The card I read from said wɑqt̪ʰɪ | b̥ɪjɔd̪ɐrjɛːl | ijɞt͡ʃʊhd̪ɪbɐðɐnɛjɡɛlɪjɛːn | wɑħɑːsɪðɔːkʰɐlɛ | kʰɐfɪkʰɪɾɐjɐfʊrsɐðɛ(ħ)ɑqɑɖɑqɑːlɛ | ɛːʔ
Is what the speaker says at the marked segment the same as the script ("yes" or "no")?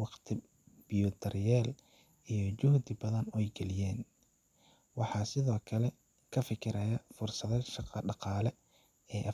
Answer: no